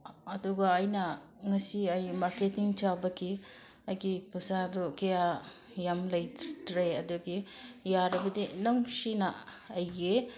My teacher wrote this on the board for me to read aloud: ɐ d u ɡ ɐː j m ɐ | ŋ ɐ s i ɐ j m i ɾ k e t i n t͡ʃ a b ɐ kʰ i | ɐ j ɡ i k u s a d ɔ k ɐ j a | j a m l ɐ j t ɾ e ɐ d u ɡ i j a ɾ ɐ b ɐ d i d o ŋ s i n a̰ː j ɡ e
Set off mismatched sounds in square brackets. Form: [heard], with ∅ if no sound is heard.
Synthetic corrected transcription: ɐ d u ɡ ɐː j [n] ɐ | ŋ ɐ s i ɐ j m [a] ɾ k e t i [ŋ] t͡ʃ a b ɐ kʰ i | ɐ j ɡ i [p] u s a d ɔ k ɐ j a | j a m l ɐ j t ɾ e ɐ d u ɡ i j a ɾ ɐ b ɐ d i [n] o ŋ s i n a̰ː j ɡ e